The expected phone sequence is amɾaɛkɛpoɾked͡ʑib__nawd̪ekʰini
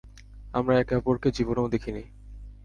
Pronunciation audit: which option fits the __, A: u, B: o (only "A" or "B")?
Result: B